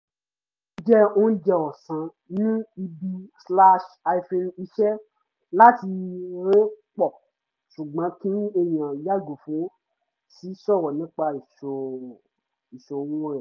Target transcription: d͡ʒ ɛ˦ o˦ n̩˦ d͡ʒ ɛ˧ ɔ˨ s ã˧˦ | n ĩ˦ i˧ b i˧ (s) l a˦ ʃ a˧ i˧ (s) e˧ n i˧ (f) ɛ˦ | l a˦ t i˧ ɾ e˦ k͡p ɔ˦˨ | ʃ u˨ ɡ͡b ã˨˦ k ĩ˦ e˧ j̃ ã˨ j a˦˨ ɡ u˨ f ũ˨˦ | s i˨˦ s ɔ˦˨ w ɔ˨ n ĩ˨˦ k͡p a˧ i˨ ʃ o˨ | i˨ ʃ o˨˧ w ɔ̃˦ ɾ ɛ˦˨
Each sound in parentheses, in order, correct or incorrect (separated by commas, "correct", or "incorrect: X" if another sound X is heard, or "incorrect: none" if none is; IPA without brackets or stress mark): correct, incorrect: f, incorrect: ʃ